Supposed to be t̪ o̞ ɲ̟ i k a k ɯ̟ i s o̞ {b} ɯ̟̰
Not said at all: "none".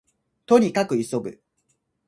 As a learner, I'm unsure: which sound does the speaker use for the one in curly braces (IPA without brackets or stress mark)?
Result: b